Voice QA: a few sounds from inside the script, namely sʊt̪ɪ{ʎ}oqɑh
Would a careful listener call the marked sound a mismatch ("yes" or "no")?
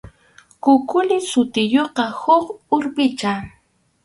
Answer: yes